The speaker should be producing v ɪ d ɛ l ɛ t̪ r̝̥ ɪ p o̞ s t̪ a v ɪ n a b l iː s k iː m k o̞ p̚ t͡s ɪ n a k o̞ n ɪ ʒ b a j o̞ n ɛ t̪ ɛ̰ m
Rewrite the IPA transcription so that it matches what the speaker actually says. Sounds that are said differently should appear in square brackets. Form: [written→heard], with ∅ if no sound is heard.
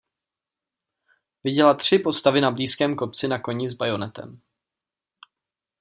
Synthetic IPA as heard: v ɪ [d→ɟ] ɛ l [ɛ→a] t̪ r̝̥ ɪ p o̞ s t̪ a v ɪ n a b l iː s k [iː→ɛː] m k o̞ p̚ t͡s ɪ n a k o̞ [n→ɲ] ɪ [ʒ→z] b a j o̞ n ɛ t̪ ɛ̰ m